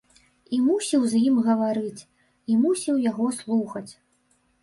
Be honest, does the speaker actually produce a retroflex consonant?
no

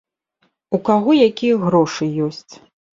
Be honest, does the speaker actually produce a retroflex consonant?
yes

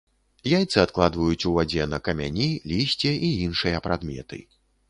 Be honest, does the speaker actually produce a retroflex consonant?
yes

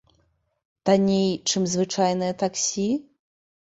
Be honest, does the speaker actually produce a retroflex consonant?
yes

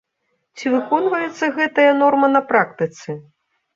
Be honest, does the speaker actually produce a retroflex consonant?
no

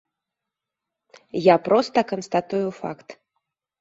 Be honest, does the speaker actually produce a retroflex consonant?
no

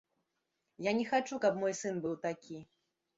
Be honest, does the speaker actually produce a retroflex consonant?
yes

